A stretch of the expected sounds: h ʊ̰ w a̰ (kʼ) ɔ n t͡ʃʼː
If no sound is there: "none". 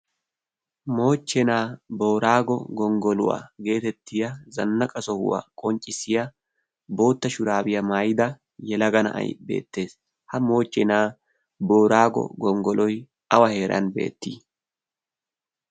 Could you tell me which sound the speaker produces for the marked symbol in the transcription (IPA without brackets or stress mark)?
kʼ